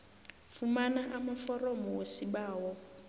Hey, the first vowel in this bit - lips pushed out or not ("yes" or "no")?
yes